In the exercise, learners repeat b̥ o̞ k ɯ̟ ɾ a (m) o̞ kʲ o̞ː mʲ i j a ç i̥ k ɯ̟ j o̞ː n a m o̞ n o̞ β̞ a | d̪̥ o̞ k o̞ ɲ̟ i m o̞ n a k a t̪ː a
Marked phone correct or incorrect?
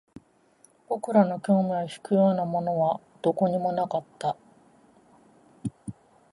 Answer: incorrect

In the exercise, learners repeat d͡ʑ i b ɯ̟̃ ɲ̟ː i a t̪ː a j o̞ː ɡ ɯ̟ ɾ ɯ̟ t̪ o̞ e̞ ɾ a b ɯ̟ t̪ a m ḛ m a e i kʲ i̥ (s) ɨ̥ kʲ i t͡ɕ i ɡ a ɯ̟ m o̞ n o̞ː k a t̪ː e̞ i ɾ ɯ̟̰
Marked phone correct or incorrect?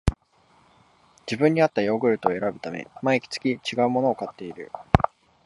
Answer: incorrect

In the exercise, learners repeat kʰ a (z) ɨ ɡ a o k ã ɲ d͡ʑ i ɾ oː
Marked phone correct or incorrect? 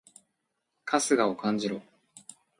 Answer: incorrect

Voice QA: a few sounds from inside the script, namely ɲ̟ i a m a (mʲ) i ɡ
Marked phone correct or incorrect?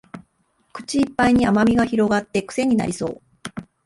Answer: correct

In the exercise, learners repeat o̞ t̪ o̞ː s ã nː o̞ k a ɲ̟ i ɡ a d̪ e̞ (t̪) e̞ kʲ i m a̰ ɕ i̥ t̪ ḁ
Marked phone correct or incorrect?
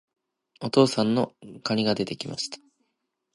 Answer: correct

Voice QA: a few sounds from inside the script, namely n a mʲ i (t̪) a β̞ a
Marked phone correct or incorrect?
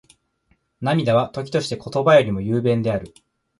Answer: incorrect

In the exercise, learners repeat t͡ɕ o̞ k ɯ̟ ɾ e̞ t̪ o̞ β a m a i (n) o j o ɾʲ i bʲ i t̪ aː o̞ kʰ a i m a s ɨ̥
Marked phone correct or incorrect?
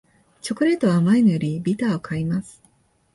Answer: correct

